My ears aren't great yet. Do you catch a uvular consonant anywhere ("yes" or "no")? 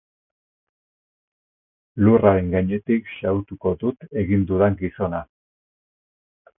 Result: no